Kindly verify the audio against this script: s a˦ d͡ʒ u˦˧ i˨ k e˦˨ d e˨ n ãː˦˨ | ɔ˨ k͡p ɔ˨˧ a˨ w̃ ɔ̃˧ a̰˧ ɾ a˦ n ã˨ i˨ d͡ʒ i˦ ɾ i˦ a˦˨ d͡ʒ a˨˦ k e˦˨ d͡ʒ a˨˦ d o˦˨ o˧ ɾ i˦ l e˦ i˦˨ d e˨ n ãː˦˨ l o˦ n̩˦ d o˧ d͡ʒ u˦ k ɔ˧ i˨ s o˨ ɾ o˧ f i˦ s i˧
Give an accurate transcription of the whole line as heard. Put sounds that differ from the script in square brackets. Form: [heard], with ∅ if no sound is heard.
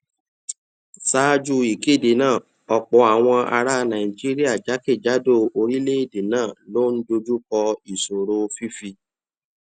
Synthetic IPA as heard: s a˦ d͡ʒ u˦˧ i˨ k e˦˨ d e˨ n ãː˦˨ | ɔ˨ k͡p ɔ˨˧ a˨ w̃ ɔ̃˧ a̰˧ ɾ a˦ n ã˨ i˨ d͡ʒ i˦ ɾ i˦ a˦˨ d͡ʒ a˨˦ k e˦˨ d͡ʒ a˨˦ d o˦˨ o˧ ɾ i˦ l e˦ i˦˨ d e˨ n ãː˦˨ l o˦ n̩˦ d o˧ d͡ʒ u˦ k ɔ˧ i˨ s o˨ ɾ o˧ f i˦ [f] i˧